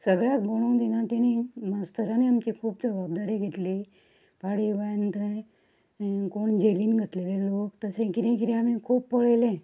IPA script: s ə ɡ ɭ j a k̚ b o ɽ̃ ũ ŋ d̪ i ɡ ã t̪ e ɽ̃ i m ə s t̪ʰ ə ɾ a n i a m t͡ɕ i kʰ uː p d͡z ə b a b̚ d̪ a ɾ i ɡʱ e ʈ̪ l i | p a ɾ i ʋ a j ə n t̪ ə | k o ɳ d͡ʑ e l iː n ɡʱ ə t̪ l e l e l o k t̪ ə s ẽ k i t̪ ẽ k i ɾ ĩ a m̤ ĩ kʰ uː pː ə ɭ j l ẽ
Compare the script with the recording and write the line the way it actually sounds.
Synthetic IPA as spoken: s ə ɡ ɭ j a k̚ b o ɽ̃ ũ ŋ d̪ i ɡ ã t̪ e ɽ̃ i m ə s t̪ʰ ə ɾ a n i a m t͡ɕ i kʰ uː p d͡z ə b a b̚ d̪ a ɾ i ɡʱ e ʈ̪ l i | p a ɽ i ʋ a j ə n t̪ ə | k o ɳ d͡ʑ e l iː n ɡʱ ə t̪ l e l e l o k t̪ ə s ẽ k i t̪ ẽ k i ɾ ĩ a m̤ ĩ kʰ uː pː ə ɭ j l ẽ